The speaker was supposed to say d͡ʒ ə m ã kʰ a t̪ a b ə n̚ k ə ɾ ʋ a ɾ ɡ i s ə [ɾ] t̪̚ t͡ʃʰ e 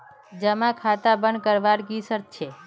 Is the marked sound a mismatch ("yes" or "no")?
no